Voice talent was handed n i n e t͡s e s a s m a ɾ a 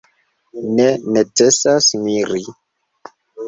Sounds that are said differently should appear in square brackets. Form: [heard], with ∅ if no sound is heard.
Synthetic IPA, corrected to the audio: n [e] n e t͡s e s a s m [i] ɾ [i]